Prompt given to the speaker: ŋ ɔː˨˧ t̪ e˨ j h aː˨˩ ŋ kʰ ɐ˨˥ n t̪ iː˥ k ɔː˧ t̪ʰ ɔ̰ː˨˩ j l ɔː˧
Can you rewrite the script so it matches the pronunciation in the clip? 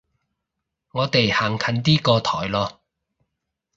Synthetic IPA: ŋ ɔː˨˧ t̪ e˨ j h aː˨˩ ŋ kʰ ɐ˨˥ n t̪ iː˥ k ɔː˧ t̪ʰ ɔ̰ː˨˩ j l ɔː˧